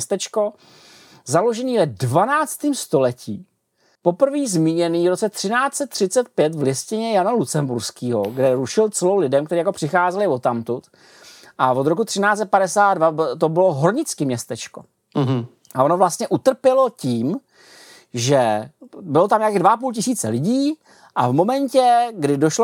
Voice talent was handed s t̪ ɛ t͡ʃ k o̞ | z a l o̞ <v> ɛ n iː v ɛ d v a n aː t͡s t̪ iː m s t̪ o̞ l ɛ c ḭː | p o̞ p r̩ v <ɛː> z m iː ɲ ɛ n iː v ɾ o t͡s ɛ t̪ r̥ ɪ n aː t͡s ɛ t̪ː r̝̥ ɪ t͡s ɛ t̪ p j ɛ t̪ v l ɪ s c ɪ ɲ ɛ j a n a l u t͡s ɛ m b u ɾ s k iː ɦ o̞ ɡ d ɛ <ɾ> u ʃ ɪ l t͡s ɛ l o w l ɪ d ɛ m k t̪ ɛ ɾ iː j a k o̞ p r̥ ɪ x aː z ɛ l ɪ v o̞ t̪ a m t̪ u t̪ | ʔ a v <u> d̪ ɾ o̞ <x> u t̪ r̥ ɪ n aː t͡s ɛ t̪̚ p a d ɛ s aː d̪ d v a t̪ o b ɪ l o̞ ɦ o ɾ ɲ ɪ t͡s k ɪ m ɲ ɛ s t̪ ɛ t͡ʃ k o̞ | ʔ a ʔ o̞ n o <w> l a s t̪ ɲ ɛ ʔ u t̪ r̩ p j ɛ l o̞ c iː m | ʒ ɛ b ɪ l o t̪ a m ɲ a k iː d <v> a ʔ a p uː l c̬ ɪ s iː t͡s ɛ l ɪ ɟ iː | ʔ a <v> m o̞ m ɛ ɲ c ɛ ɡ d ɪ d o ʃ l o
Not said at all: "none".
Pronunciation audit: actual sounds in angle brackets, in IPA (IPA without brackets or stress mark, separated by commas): ʒ, iː, ɾ, o, k, v, v, v